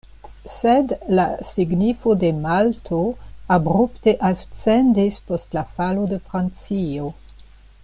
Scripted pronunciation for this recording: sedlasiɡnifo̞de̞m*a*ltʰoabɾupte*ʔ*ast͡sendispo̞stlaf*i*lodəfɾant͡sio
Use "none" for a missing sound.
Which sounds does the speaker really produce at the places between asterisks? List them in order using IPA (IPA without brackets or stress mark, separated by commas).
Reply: a, ʔ, a